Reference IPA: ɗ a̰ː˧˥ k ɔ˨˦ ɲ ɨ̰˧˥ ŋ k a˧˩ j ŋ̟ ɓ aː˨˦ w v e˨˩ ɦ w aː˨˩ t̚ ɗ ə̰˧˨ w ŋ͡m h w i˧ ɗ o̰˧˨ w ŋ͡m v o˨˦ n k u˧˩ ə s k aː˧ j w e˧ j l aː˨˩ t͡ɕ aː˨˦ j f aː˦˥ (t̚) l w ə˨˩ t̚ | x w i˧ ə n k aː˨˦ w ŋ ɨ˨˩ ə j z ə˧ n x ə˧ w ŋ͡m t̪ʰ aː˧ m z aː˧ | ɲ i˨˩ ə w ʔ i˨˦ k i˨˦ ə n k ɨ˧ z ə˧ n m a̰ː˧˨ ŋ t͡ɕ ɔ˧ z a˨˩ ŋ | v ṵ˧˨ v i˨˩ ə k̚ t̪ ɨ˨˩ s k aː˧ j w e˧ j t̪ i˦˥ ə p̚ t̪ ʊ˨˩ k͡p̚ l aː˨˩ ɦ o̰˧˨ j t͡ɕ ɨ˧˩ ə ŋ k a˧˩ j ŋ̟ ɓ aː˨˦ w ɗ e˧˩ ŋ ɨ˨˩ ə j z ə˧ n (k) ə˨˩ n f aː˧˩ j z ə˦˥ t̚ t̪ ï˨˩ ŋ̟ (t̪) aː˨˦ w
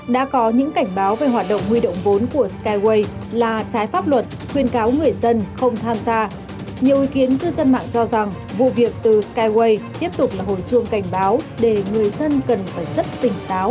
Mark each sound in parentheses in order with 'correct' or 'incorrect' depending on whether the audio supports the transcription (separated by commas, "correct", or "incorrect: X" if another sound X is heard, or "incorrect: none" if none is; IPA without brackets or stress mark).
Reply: incorrect: p̚, correct, correct